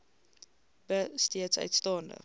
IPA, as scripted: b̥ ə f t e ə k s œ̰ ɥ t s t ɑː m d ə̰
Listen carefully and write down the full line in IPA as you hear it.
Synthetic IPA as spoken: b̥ ə s t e ə t s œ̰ ɥ t s t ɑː n d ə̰